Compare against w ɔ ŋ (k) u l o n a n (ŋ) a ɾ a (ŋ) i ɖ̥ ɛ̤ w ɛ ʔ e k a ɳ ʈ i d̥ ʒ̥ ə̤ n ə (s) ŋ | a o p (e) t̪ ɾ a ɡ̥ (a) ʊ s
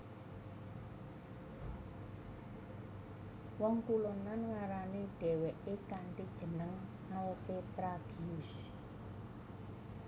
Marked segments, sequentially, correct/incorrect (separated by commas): correct, correct, incorrect, incorrect, correct, incorrect